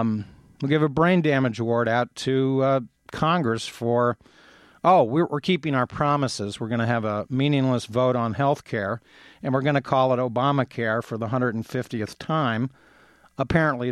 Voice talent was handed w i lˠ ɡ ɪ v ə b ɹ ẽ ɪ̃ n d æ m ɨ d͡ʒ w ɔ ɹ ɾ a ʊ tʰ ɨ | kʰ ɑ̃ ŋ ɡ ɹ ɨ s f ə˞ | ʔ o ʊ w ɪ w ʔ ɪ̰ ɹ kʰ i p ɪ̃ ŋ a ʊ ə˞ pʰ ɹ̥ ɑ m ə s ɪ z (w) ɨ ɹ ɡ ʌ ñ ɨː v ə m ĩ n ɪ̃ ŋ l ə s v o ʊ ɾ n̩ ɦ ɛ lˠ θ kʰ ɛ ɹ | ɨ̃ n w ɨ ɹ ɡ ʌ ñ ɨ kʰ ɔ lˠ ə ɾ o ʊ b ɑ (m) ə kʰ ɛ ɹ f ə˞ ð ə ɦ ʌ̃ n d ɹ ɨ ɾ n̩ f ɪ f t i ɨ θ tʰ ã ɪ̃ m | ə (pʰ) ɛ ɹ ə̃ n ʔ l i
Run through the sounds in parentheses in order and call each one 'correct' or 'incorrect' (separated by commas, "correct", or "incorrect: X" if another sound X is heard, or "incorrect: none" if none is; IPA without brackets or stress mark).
correct, correct, correct